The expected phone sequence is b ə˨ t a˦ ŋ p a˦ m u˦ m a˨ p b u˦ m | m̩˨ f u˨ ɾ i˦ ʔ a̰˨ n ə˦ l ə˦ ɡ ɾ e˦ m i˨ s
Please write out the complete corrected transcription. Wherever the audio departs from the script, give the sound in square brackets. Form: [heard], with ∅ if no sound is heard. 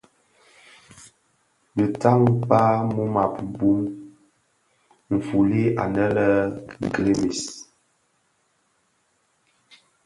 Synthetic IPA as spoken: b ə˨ t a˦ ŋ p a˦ m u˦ m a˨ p b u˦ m | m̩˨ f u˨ [l] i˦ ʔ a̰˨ n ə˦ l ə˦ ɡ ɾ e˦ m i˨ s